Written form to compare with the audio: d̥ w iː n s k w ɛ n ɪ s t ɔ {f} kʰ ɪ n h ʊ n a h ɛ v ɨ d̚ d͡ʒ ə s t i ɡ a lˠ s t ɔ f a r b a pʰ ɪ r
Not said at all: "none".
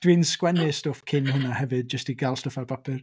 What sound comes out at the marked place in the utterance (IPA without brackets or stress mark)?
f